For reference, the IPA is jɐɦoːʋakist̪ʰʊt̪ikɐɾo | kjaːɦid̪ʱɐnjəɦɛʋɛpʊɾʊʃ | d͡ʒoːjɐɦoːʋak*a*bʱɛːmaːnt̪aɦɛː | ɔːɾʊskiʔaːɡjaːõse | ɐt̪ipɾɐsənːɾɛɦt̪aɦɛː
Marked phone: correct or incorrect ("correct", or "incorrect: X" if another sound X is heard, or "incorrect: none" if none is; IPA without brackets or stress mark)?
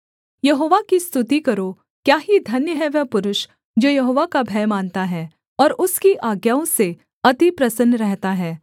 correct